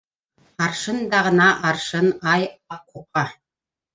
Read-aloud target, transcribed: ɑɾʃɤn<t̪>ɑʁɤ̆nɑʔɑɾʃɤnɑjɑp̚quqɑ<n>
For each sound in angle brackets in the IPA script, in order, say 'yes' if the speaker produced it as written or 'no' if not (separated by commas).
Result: no, no